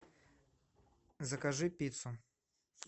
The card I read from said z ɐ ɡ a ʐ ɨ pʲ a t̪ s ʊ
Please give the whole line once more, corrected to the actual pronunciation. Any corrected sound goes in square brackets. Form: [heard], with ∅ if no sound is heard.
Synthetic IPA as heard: z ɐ [k] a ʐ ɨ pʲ [i] t̪ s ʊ